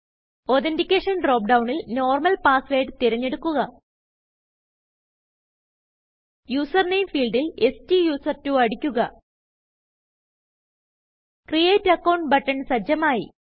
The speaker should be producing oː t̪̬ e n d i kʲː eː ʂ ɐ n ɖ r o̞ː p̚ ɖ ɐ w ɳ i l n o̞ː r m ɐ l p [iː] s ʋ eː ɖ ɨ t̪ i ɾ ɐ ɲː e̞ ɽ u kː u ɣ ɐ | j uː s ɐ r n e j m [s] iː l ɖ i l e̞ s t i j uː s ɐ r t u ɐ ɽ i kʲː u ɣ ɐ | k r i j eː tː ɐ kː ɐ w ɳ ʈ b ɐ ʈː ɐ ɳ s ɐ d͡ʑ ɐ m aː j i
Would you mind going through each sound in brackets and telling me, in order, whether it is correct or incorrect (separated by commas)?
incorrect, incorrect